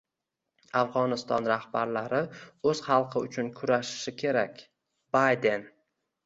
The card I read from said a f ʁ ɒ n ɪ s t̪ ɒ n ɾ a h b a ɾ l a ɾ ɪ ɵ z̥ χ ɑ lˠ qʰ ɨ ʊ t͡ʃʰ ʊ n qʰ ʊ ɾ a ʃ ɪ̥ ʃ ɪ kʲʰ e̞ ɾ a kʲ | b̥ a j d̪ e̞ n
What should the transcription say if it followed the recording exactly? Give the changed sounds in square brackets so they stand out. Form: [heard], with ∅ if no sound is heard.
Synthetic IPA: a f ʁ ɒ n ɪ s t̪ ɒ n ɾ a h b a ɾ l a ɾ ɪ ɵ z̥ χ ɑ lˠ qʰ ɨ ʊ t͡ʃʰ ʊ n [kʰ] ʊ ɾ a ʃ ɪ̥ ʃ ɪ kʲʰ e̞ ɾ a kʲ | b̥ a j d̪ e̞ n